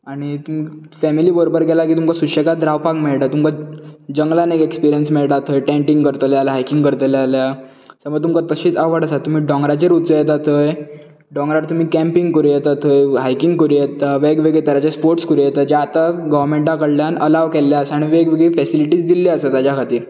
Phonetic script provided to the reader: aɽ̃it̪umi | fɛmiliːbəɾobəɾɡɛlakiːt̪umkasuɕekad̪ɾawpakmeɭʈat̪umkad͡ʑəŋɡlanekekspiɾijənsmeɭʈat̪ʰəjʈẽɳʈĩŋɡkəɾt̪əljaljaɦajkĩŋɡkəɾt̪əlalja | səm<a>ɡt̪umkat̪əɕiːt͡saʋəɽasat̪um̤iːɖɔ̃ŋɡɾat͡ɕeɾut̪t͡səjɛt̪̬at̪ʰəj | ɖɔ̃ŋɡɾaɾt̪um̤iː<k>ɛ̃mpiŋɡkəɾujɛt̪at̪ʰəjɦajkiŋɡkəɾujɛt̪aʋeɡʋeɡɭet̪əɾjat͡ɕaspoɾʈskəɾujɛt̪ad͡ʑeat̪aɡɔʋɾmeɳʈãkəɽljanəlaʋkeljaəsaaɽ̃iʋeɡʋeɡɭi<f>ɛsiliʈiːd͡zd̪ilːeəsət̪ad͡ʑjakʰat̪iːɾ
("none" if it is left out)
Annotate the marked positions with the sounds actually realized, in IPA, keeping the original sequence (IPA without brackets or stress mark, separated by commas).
ə, k, f